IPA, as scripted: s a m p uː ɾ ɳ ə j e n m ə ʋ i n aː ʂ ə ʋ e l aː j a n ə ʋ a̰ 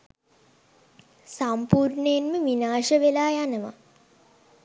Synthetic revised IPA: s a m p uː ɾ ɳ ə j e n m ə ʋ i n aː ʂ ə ʋ e l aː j a n ə ʋ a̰